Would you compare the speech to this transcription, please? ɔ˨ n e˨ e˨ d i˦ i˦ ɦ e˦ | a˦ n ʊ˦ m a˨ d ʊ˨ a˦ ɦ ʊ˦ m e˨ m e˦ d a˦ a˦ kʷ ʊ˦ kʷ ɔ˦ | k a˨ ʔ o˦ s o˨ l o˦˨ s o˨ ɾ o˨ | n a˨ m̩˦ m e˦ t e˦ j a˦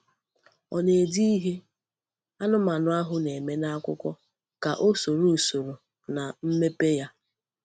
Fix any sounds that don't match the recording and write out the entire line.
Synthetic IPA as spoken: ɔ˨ n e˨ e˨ d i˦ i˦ ɦ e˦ | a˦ n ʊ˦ m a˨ n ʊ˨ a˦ ɦ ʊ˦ n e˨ m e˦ n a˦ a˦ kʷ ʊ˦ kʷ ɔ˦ | k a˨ ʔ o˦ s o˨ ɾ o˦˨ s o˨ ɾ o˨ | n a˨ m̩˦ m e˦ p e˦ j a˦